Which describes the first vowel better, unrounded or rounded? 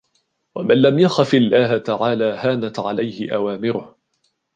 unrounded